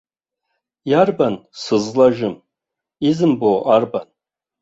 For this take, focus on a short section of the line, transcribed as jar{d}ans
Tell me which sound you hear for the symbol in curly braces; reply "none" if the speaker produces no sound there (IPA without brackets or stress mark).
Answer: b